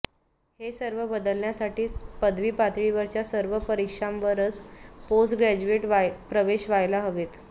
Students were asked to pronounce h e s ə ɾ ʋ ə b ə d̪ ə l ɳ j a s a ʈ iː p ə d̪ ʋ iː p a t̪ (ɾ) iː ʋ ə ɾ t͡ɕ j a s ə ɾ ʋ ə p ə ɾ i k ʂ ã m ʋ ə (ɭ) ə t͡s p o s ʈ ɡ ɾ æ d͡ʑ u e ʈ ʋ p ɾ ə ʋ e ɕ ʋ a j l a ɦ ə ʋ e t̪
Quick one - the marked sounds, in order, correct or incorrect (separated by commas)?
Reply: incorrect, incorrect